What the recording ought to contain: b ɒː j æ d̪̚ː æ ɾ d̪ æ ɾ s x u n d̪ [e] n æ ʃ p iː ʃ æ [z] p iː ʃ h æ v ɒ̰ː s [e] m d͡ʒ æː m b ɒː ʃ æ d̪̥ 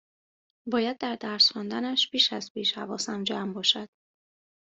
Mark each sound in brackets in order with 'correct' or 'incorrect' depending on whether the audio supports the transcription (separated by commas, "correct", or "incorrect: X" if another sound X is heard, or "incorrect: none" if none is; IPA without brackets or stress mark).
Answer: incorrect: æ, correct, incorrect: æ